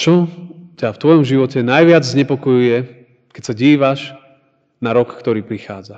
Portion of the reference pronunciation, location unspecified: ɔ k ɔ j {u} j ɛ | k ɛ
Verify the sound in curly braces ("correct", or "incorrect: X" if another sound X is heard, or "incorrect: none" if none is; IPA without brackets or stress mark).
correct